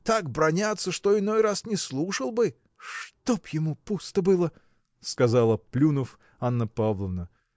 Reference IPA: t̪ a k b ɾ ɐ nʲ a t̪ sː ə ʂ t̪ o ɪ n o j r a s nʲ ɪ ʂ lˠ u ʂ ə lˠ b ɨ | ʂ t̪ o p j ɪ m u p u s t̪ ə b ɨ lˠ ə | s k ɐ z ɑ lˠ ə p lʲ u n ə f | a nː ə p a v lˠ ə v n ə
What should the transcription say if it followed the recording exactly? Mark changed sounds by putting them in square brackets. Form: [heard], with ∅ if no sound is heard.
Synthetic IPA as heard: t̪ a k b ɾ ɐ nʲ a t̪ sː ə ʂ t̪ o ɪ n o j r a s nʲ ɪ [s] lˠ u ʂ ə lˠ b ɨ | ʂ t̪ o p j ɪ m u p u s t̪ ə b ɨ lˠ ə | s k ɐ z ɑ lˠ ə p lʲ u n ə f | a nː ə p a v lˠ ə v n ə

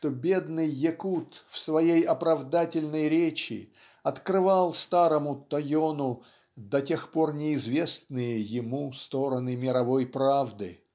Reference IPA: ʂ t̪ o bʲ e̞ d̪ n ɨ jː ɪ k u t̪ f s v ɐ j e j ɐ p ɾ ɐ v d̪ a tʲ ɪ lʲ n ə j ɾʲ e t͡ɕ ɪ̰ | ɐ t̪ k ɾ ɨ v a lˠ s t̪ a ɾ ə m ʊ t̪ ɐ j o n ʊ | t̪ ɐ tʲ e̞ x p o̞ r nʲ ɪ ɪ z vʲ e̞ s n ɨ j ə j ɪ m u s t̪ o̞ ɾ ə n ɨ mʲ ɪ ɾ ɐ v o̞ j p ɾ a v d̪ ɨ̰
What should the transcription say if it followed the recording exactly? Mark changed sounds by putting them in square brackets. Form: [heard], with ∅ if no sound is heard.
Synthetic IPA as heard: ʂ t̪ o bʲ e̞ d̪ n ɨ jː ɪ k u t̪ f s v ɐ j e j ɐ p ɾ ɐ v d̪ a tʲ ɪ lʲ n ə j ɾʲ e t͡ɕ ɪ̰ | ɐ t̪ k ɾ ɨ v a lˠ s t̪ a ɾ ə m ʊ t̪ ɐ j o n ʊ | [d̪] ɐ tʲ e̞ x p o̞ r nʲ ɪ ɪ z vʲ e̞ s n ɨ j ə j ɪ m u s t̪ o̞ ɾ ə n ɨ mʲ ɪ ɾ ɐ v o̞ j p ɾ a v d̪ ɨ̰

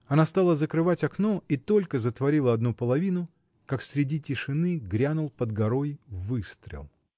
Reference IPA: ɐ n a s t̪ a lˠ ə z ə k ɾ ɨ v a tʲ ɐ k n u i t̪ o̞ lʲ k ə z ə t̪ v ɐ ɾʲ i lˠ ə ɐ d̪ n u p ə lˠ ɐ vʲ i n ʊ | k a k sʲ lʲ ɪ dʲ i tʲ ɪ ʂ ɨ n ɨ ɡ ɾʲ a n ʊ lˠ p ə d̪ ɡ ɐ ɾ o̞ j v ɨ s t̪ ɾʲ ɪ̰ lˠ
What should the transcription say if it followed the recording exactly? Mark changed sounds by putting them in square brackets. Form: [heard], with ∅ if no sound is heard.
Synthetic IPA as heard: ɐ n a s t̪ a lˠ ə z ə k ɾ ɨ v a tʲ ɐ k n [o] i t̪ o̞ lʲ k ə z ə t̪ v ɐ ɾʲ i lˠ ə ɐ d̪ n u p ə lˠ ɐ vʲ i n ʊ | k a k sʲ [ɾʲ] ɪ dʲ i tʲ ɪ ʂ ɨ n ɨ ɡ ɾʲ a n ʊ lˠ p ə d̪ ɡ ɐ ɾ o̞ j v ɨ s t̪ ɾʲ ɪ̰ lˠ

